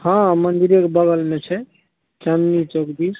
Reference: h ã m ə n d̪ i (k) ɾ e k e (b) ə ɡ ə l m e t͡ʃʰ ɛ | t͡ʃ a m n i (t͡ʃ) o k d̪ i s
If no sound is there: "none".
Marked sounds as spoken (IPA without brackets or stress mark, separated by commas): none, b, t͡ʃ